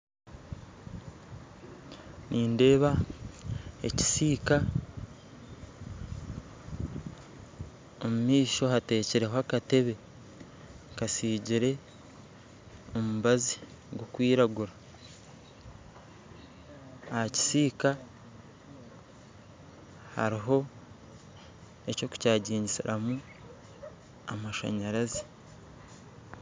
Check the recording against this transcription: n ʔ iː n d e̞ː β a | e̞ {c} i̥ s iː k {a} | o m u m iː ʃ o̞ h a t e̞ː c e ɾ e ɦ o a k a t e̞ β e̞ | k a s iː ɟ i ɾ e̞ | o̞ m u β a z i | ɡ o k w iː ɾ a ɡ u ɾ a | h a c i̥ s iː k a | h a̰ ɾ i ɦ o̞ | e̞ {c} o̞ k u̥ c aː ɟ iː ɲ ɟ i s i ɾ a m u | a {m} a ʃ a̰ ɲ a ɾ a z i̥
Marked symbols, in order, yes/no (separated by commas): yes, yes, yes, yes